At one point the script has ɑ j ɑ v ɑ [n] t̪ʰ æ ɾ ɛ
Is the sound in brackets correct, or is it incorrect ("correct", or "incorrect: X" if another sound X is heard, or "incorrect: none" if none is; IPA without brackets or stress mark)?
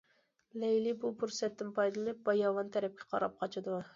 correct